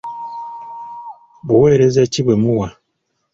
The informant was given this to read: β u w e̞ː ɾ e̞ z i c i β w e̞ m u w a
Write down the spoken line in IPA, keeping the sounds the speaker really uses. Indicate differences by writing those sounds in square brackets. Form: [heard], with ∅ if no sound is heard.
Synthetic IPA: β u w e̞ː ɾ e̞ z [e] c i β w e̞ m u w a